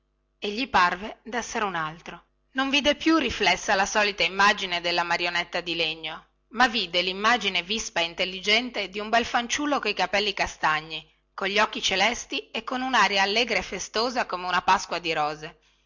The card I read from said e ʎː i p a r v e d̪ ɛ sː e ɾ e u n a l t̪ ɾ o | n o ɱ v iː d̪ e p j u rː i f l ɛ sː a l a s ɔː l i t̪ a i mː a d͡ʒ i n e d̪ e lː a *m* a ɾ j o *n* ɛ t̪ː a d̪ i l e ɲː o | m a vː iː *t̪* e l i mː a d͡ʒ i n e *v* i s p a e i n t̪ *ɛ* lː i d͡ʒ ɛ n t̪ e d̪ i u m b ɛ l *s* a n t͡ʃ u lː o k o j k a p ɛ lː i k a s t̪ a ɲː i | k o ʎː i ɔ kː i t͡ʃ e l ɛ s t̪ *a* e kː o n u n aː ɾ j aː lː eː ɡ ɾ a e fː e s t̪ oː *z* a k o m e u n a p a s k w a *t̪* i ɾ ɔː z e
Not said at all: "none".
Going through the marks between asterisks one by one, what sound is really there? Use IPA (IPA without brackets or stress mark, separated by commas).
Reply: m, n, d̪, v, e, f, i, z, d̪